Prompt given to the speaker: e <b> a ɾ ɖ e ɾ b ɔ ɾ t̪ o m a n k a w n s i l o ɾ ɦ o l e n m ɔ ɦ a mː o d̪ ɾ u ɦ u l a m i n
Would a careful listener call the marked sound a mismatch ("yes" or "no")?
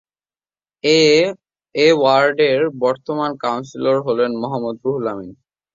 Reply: yes